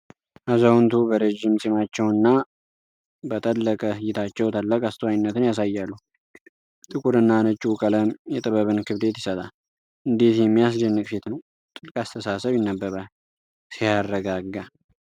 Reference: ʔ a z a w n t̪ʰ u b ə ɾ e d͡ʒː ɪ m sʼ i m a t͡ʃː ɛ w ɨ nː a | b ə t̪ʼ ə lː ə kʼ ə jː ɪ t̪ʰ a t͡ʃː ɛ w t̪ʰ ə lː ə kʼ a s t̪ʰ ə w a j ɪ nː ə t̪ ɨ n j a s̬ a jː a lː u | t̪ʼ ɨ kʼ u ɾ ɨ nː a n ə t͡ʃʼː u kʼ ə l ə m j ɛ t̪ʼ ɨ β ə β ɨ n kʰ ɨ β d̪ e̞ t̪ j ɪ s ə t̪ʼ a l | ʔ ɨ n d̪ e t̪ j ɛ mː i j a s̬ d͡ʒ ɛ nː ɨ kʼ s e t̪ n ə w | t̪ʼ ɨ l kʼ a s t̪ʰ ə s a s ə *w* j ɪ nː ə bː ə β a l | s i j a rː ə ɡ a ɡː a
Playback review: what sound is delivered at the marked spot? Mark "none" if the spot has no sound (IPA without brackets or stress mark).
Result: β